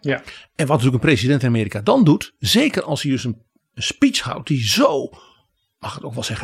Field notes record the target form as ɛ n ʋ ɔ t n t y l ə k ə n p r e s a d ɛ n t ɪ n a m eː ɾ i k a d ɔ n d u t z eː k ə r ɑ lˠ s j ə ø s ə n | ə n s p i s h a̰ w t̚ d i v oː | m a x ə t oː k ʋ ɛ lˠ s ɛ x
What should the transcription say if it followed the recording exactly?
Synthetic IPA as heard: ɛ n ʋ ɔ t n t y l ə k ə n p r e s i d ɛ n t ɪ n a m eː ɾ i k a d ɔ n d u t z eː k ə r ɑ lˠ s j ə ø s ə n | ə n s p i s h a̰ w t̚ d i z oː | m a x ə t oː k ʋ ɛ lˠ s ɛ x